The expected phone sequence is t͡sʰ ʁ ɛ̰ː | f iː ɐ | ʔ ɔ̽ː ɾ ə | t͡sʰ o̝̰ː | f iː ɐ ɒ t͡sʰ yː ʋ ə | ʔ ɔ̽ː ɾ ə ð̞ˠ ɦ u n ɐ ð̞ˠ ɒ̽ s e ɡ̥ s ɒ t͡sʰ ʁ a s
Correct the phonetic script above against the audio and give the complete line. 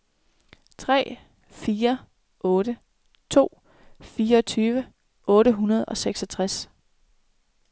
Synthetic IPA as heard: t͡sʰ ʁ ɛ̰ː | f iː ɐ | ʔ ɔ̽ː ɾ ə | t͡sʰ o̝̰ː | f iː ɐ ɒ t͡sʰ yː ʋ ə | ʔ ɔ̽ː ɾ ə ɦ u n ɐ ð̞ˠ ɒ̽ s e ɡ̥ s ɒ t͡sʰ ʁ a s